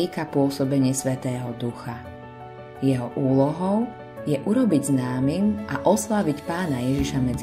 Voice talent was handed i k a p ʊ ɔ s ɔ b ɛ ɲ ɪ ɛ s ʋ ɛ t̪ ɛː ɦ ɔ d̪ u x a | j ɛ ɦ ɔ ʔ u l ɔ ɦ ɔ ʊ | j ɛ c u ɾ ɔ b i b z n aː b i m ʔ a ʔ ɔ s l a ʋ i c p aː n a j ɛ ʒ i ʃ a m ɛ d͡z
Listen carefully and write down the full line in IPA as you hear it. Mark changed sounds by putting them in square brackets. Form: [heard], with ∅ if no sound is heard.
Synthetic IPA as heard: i k a p ʊ ɔ s ɔ b ɛ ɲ ɪ ɛ s ʋ ɛ t̪ ɛː ɦ ɔ d̪ u x a | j ɛ ɦ ɔ ʔ [uː] l ɔ ɦ ɔ ʊ | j ɛ [ʔ] u ɾ ɔ b i [ɟ] z n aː [m] i m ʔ a ʔ ɔ s l a ʋ i c p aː n a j ɛ ʒ i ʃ a m ɛ d͡z